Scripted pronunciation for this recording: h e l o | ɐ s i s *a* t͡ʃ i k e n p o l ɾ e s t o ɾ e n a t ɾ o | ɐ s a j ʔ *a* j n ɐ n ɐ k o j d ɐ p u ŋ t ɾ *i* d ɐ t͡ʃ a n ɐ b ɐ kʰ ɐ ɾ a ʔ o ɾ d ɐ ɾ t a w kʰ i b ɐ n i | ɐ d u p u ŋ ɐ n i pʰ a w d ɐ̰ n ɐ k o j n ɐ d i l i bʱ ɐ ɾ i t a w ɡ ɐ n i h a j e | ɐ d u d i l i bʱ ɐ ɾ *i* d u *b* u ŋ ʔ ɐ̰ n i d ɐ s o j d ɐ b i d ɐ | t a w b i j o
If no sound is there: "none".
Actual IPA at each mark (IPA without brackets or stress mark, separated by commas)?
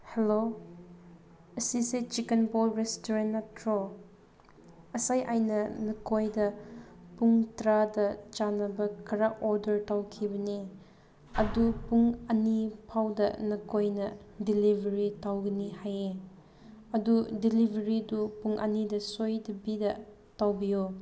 e, a, a, i, p